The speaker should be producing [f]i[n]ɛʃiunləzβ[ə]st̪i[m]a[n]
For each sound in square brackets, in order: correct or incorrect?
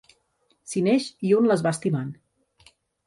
incorrect: s, correct, incorrect: a, correct, correct

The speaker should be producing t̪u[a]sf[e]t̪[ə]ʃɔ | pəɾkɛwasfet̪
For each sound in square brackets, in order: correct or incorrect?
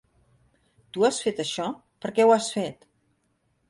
correct, correct, correct

